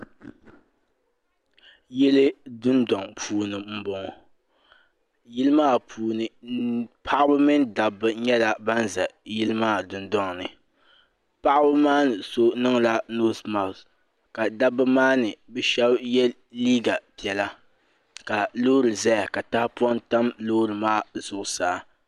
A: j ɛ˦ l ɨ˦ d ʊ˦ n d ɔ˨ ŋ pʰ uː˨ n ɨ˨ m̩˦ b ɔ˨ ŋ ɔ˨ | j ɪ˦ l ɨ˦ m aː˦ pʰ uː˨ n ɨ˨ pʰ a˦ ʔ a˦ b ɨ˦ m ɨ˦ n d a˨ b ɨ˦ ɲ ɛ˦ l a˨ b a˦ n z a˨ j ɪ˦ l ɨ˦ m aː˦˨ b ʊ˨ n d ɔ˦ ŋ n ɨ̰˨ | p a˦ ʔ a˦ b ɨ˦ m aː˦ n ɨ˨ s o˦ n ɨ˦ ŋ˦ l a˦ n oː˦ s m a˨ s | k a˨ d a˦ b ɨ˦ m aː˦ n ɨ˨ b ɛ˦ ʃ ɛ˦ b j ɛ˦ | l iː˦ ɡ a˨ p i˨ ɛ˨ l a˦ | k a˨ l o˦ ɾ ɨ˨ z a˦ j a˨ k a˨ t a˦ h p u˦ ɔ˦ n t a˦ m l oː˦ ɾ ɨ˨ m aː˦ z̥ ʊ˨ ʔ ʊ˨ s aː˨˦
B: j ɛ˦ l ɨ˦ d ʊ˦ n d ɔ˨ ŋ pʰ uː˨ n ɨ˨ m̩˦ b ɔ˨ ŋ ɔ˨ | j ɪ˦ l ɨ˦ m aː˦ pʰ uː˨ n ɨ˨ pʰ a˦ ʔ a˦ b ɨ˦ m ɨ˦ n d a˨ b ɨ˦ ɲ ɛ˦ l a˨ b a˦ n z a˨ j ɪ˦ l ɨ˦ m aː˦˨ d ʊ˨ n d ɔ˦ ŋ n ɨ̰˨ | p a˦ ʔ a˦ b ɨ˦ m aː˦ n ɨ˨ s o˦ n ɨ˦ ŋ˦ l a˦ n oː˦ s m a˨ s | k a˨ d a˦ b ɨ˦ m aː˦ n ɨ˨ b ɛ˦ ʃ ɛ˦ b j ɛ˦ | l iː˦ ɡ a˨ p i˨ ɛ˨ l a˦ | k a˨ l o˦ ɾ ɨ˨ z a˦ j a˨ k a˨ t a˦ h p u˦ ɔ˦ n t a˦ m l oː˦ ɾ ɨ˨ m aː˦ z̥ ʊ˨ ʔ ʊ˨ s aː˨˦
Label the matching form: B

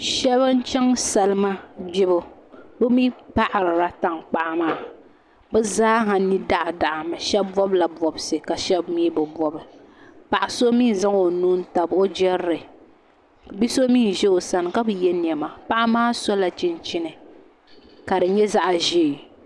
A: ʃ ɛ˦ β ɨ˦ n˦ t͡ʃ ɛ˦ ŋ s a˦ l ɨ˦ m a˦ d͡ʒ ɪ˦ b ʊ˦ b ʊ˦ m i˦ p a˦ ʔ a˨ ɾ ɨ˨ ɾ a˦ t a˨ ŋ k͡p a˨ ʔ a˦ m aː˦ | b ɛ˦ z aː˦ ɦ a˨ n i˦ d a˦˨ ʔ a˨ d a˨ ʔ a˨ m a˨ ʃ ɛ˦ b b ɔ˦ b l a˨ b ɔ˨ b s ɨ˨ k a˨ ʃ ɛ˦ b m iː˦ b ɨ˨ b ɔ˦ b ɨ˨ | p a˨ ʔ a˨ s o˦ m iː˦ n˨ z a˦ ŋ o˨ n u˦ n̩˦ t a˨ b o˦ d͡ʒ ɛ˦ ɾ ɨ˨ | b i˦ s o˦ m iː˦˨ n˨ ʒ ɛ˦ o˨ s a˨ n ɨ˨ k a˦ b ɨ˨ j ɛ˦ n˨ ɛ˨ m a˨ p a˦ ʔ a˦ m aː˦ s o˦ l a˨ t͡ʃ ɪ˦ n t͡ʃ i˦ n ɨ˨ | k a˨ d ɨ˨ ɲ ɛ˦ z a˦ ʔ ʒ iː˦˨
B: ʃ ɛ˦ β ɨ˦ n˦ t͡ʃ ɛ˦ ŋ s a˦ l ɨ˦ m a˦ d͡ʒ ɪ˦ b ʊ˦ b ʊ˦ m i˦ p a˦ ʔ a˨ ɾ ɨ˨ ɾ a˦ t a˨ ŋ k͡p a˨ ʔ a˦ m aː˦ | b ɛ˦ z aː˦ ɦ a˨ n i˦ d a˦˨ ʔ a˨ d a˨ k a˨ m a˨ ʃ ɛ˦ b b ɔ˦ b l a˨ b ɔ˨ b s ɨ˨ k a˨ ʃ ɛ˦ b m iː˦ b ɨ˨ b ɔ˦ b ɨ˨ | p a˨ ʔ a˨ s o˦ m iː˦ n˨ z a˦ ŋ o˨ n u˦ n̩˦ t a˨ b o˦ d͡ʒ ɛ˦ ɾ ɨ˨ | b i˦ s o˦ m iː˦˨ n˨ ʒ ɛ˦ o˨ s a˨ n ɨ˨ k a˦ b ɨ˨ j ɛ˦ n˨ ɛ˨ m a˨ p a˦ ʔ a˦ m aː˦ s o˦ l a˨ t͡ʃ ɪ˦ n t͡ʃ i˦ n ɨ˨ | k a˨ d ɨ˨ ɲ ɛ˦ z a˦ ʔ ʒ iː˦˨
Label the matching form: A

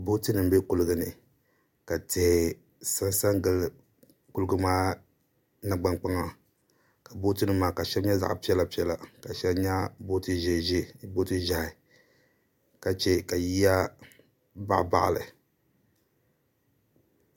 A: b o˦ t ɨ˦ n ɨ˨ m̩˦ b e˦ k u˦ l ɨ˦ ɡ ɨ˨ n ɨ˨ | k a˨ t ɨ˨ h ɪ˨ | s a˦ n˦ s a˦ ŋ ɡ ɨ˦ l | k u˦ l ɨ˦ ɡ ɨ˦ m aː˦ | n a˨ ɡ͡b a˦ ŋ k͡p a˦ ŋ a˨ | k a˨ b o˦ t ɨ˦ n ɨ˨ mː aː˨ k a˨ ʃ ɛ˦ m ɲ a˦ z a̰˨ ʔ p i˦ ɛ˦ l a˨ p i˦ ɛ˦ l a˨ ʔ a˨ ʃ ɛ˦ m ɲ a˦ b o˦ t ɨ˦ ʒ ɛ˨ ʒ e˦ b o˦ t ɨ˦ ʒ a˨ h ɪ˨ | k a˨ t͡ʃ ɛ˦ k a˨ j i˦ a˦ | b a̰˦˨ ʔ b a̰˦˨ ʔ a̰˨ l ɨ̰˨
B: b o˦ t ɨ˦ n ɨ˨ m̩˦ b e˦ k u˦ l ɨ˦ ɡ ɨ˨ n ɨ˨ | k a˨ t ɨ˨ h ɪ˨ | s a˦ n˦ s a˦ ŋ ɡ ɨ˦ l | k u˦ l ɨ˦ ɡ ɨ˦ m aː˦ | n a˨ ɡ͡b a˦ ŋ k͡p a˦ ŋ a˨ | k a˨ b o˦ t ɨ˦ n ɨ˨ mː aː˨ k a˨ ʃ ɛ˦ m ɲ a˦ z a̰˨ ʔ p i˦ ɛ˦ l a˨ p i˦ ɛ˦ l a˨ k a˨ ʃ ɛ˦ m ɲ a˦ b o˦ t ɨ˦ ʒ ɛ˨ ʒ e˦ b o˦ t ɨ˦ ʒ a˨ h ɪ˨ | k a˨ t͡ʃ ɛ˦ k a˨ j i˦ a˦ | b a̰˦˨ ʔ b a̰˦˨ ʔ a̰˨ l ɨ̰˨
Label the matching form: B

